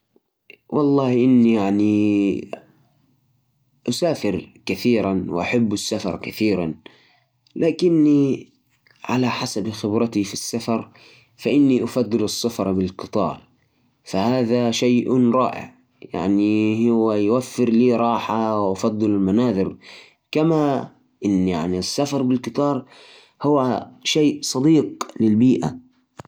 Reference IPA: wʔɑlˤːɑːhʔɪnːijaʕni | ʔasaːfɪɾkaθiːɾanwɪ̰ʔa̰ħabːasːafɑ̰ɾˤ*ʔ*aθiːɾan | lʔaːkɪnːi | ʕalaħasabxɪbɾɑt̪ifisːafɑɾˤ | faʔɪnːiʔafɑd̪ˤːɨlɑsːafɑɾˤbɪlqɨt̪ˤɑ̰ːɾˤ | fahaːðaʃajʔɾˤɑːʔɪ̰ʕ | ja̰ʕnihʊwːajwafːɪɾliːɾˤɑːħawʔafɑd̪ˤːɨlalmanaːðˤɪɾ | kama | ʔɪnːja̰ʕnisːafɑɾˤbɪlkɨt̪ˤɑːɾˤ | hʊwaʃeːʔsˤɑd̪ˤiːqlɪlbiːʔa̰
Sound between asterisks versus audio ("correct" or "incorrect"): incorrect